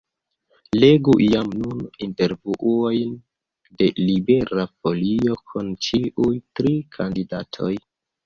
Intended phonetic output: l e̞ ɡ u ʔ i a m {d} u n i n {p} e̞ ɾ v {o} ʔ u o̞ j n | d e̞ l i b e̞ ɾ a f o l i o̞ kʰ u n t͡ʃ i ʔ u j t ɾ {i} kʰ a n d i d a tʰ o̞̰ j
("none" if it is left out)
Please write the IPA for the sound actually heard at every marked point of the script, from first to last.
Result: n, t, u, i

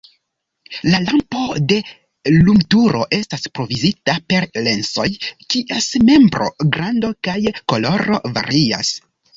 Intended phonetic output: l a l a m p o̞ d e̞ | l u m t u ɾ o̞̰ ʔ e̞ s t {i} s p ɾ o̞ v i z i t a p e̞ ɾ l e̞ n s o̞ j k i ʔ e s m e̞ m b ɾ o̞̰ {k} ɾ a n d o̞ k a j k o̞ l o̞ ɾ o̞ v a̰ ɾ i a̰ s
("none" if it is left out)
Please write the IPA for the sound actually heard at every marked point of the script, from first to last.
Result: a, ɡ

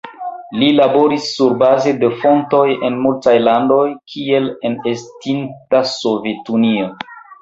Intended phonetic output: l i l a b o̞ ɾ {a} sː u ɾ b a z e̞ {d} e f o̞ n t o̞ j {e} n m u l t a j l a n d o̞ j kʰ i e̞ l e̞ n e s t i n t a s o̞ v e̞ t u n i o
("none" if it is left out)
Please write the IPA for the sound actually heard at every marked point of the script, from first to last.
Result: i, d, e

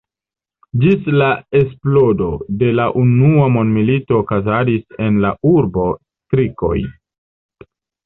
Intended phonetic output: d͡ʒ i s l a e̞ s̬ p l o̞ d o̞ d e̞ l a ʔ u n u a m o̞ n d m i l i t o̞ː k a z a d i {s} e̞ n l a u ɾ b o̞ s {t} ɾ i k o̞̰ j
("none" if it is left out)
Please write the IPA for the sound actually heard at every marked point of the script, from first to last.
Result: s, t

